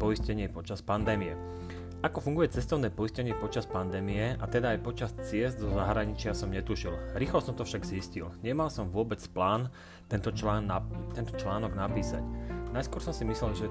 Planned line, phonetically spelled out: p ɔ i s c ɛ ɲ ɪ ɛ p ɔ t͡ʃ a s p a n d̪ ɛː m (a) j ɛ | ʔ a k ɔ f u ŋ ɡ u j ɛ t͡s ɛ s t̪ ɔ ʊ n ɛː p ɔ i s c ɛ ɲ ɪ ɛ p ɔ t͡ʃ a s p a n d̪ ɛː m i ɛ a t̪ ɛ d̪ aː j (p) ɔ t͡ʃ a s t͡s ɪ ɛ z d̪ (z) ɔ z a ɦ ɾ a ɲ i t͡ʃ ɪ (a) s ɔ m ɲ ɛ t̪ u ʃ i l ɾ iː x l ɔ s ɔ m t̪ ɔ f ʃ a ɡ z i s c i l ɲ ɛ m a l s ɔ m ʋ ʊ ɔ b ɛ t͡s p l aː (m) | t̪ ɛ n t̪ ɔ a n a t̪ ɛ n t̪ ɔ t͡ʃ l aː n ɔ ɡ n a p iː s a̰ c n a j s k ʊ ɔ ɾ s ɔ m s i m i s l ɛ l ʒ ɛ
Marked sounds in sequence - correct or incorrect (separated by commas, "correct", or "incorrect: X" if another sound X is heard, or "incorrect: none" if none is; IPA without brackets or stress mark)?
incorrect: i, correct, correct, correct, incorrect: n